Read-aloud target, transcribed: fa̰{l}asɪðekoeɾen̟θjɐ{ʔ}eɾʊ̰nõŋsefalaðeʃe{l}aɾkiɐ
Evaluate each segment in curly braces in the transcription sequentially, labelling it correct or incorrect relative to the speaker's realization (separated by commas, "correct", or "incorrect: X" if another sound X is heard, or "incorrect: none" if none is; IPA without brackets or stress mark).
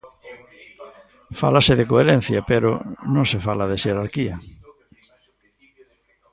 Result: correct, incorrect: p, incorrect: ɾ